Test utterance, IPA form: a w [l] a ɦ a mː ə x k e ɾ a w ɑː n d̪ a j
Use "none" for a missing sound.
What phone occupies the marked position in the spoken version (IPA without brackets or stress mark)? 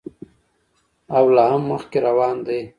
l